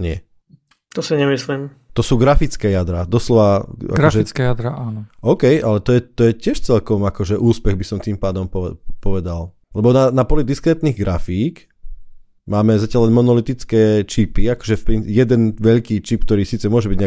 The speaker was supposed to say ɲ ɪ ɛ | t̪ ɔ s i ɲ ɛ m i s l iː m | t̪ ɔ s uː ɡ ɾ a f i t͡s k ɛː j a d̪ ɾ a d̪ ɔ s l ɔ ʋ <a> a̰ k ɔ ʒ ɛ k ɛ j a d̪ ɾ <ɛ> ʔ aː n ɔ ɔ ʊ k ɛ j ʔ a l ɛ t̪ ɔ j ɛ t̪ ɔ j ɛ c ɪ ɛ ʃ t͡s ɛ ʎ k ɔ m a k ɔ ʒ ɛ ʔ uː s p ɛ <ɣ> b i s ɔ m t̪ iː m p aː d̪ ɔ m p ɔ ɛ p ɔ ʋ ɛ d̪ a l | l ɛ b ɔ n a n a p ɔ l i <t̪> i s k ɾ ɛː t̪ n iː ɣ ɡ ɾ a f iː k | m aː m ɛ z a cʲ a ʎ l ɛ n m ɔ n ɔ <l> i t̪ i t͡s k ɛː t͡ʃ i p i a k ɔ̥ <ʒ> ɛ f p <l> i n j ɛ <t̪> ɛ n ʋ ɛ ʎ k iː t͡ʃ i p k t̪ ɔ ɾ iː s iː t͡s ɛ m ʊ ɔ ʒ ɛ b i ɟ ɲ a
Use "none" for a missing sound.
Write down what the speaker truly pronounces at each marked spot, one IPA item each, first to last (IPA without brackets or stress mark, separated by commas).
a, a, ɣ, d̪, l, ʒ, ɾ, d̪